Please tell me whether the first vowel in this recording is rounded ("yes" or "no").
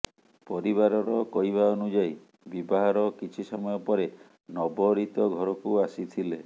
yes